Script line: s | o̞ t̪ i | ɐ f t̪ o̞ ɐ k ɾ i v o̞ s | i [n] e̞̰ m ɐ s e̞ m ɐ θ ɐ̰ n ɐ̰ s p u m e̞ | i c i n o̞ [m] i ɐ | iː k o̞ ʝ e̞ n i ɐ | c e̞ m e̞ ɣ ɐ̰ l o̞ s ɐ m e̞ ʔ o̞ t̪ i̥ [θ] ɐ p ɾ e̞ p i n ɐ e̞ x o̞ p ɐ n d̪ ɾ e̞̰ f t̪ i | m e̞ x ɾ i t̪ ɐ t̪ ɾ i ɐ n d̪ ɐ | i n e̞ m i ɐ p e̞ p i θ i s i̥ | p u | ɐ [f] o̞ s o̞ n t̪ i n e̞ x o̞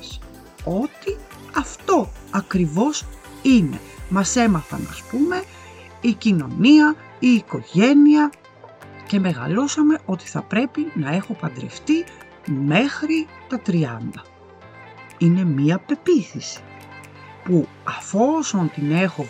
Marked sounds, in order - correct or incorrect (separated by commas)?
correct, incorrect, correct, correct